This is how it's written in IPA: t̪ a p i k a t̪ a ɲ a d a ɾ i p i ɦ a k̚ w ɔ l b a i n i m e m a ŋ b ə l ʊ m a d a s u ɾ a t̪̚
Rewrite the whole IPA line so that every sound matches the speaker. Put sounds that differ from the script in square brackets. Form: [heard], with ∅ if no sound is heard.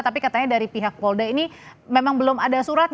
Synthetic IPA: t̪ a p i k a t̪ a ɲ a d a ɾ i p i ɦ a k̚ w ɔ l [d] a i n i m e m a ŋ b ə l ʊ m a d a s u ɾ a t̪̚